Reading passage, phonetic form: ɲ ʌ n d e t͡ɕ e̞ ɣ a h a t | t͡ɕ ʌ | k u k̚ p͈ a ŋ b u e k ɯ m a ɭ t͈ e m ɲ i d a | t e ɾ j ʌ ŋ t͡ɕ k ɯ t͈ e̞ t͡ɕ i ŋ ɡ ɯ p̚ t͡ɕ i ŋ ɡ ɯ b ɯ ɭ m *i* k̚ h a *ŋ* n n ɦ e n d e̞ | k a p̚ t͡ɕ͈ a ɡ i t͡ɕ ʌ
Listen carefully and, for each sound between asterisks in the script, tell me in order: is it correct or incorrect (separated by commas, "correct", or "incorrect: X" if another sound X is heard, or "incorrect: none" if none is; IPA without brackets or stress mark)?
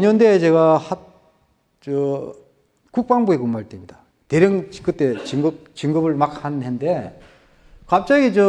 incorrect: a, incorrect: none